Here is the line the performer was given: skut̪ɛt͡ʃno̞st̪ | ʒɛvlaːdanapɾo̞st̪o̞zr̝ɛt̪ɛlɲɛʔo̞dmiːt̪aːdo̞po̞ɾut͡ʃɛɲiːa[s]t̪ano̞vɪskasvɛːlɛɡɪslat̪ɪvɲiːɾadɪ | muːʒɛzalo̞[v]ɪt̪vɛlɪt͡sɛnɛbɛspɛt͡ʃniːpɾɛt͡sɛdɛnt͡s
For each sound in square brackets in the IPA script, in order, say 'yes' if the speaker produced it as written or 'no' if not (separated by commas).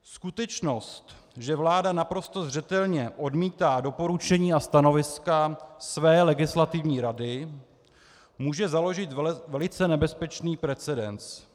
yes, no